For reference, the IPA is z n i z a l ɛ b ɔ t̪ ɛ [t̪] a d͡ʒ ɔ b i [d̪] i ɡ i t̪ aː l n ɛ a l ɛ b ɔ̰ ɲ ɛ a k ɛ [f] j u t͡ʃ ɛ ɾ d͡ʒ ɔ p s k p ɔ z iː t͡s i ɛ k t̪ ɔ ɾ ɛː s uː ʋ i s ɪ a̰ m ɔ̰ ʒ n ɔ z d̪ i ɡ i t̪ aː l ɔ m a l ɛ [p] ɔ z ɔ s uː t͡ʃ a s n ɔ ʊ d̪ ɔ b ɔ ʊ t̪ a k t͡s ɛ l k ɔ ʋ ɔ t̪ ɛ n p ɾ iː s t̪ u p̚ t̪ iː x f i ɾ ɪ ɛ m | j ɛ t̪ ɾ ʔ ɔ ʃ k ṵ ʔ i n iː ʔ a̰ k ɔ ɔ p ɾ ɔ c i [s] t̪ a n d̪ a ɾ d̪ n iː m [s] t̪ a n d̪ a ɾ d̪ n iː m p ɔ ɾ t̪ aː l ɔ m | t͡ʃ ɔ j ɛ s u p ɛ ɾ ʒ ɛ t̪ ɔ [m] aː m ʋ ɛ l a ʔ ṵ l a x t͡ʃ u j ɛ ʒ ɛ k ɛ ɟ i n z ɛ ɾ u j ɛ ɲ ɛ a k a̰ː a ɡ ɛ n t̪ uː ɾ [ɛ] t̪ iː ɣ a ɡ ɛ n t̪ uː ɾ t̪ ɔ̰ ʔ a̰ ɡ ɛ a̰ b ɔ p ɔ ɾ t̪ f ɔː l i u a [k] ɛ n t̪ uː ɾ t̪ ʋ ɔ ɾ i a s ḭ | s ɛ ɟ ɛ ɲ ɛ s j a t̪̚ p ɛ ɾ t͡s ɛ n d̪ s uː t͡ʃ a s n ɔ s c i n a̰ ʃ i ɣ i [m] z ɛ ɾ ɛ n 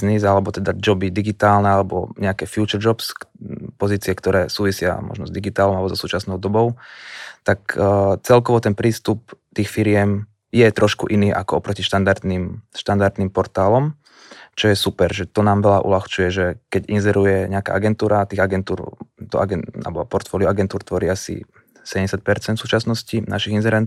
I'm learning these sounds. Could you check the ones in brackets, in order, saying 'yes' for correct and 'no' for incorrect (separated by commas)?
no, yes, yes, no, no, no, no, no, no, no